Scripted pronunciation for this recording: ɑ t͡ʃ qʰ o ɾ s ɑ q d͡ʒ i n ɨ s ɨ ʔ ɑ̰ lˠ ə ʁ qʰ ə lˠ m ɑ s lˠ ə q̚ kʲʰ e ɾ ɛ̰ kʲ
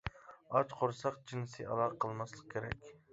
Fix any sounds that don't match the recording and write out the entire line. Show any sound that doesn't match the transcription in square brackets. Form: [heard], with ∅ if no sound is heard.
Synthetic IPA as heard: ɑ t͡ʃ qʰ o ɾ s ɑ q d͡ʒ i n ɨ s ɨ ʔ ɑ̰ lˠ [ɑ] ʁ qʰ ə lˠ m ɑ s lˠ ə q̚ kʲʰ e ɾ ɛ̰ kʲ